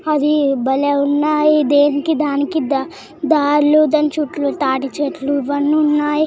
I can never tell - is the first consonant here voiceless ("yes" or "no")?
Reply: no